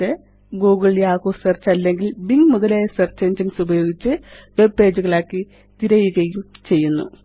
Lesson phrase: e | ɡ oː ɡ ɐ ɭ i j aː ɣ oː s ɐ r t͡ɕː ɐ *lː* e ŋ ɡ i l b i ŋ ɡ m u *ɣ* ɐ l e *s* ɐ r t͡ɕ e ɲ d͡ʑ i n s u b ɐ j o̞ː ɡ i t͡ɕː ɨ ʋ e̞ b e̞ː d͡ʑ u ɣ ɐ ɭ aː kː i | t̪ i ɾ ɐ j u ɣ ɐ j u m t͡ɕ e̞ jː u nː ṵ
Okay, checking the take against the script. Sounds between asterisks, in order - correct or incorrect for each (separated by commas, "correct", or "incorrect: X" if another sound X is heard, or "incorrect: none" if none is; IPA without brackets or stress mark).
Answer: correct, incorrect: ð, correct